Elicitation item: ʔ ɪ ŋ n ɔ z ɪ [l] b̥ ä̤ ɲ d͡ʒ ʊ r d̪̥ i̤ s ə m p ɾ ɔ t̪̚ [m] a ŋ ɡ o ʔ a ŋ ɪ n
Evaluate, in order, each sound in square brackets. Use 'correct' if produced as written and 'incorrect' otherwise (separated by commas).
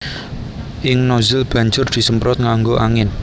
correct, incorrect